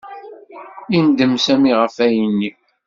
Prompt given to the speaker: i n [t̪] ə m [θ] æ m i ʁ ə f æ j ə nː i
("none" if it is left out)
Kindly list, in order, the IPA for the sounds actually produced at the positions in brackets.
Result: d̪, s

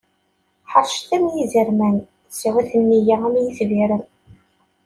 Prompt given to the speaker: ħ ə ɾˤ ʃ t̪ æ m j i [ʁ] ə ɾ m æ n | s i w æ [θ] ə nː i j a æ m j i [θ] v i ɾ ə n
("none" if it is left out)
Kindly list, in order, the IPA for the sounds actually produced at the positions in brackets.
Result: z, θ, θ

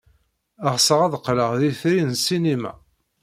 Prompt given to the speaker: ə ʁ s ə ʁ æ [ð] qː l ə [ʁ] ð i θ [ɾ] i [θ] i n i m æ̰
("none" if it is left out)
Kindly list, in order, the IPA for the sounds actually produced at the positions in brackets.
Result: ð, ʁ, ɾ, s

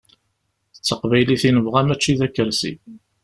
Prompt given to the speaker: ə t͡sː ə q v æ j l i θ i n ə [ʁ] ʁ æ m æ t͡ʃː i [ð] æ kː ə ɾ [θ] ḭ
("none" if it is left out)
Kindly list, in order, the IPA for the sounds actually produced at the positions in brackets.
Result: v, ð, s

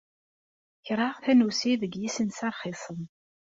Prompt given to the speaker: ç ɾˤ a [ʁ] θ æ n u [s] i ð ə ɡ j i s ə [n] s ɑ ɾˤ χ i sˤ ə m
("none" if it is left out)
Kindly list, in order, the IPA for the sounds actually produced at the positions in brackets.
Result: ʁ, s, n

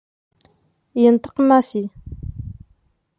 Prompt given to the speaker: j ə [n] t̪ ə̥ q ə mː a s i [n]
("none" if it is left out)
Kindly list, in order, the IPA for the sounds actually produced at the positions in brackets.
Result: n, none

